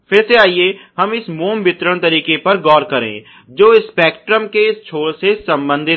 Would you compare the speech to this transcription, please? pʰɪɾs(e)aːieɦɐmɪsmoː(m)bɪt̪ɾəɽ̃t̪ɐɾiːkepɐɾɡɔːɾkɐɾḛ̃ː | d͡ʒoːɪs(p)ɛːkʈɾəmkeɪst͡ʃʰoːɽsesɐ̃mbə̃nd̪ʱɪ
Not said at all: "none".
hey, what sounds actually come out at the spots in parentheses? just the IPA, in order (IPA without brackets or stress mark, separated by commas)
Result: e, m, p